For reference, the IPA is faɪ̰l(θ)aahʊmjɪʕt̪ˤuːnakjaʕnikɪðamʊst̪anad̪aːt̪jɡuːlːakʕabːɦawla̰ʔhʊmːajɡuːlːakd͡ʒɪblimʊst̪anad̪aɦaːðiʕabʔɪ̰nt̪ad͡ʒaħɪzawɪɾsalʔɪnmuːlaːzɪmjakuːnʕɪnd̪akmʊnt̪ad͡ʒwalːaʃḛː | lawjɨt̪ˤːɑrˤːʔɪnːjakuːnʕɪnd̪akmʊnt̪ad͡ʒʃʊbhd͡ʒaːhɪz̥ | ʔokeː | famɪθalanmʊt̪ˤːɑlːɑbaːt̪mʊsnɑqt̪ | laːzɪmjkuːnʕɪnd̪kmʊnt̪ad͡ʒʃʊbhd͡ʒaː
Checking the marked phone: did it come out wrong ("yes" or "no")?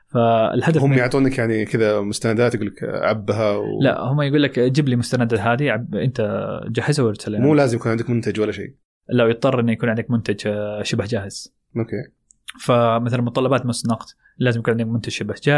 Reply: yes